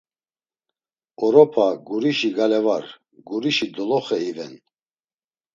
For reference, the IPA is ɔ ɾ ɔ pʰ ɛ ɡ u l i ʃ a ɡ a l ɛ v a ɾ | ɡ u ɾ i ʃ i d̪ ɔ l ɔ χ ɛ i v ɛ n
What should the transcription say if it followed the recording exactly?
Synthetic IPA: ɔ ɾ ɔ pʰ a ɡ u ɾ i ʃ i ɡ a l ɛ v a ɾ | ɡ u ɾ i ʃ i d̪ ɔ l ɔ χ ɛ i v ɛ n